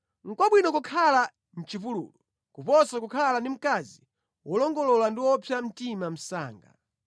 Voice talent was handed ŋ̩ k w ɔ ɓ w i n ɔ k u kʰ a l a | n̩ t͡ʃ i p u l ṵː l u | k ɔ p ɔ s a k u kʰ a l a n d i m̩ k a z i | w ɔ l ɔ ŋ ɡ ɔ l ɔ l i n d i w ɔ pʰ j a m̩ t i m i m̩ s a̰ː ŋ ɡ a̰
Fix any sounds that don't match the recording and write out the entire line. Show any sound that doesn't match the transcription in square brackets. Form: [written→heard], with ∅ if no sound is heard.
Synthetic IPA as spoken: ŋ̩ k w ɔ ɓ w i n ɔ k u kʰ a l a | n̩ t͡ʃ i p u l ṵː l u | k [ɔ→u] p ɔ s a k u kʰ a l a n d i m̩ k a z i | w ɔ l ɔ ŋ ɡ ɔ l ɔ l [i→a] n d i w ɔ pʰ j a m̩ t i m [i→a] m̩ s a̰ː ŋ ɡ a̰